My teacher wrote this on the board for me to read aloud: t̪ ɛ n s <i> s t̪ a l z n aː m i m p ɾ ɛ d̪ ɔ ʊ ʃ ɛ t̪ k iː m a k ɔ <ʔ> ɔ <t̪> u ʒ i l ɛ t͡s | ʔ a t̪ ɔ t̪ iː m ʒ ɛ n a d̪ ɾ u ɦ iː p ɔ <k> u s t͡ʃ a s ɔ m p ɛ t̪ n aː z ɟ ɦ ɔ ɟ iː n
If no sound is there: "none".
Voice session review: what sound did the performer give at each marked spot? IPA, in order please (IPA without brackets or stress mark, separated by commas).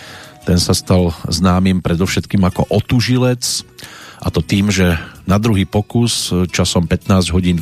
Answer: a, ʔ, t̪, k